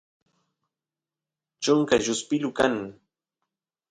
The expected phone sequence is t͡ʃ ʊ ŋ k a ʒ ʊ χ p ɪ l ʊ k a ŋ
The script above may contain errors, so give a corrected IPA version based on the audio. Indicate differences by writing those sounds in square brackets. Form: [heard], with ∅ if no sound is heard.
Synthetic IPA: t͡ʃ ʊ ŋ k a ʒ ʊ [s] p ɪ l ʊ k a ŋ